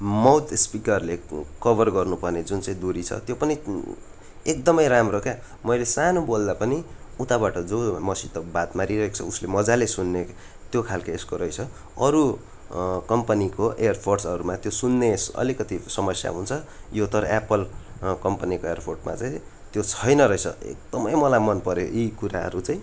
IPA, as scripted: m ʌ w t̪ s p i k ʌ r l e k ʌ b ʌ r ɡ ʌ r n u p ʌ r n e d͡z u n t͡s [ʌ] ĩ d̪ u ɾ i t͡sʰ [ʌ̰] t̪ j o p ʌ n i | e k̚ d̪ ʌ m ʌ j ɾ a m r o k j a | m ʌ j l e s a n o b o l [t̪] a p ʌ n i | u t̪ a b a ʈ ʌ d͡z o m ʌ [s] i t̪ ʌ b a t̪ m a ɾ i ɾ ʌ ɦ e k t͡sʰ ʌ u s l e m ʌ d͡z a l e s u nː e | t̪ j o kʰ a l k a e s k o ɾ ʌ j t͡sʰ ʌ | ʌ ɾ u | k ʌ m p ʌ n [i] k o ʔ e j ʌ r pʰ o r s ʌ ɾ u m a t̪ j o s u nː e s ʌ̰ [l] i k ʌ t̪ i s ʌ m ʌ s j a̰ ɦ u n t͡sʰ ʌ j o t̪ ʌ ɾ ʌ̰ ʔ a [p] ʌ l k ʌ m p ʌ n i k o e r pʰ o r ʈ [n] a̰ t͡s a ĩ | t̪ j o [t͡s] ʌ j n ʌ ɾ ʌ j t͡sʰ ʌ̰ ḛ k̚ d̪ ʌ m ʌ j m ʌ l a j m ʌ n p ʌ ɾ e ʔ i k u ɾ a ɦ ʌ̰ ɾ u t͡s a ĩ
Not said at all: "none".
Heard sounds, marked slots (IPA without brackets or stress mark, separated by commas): a, ʌ̰, d̪, s, i, l, p, m, t͡sʰ